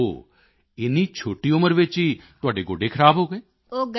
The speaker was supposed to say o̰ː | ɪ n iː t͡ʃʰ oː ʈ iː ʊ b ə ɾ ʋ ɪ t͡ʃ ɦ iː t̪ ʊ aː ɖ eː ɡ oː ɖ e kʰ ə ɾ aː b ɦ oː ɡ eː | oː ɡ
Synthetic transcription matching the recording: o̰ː | ɪ n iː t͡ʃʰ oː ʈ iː ʊ m ə ɾ ʋ ɪ t͡ʃ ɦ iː t̪ ʊ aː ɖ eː ɡ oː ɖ e kʰ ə ɾ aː b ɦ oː ɡ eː | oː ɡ